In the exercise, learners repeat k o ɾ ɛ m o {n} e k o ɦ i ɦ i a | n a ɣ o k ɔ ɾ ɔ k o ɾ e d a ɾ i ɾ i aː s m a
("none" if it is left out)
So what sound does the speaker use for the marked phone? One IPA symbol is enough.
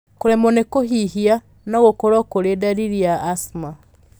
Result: n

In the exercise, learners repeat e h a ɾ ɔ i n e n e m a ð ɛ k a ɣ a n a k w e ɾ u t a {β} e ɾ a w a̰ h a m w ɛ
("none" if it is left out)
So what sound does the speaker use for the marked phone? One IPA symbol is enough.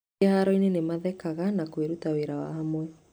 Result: w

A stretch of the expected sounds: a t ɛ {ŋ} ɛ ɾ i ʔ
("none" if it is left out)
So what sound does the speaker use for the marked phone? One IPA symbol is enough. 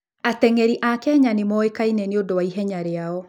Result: ŋ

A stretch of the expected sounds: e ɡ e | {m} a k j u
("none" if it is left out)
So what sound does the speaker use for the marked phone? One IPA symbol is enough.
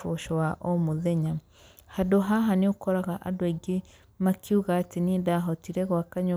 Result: m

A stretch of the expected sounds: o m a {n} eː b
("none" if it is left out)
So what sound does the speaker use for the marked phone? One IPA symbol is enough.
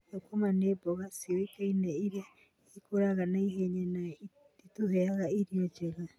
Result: n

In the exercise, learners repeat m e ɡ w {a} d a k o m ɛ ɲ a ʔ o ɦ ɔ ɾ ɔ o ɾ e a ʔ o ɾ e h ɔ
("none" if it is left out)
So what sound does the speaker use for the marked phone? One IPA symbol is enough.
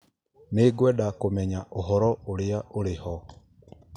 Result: ɛ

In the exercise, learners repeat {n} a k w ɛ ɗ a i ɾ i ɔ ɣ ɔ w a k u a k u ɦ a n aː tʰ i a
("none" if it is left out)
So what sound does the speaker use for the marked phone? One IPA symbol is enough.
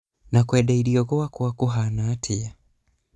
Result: n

